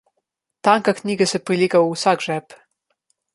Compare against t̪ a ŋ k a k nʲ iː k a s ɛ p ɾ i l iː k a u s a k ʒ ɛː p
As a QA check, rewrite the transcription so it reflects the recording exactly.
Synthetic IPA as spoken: t̪ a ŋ k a k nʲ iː ɡ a s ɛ p ɾ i l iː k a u s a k ʒ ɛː p